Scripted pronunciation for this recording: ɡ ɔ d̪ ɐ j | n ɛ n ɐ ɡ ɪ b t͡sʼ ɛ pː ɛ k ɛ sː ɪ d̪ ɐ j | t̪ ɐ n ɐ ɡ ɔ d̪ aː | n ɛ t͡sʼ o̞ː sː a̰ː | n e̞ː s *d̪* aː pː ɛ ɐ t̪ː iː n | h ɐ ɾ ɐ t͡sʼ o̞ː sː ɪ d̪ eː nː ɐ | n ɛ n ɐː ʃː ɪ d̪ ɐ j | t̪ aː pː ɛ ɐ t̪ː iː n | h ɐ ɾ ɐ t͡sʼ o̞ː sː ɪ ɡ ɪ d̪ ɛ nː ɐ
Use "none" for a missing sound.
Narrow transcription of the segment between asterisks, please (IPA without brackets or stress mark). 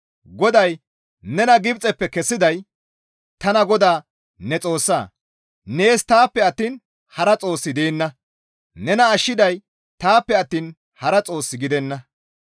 t̪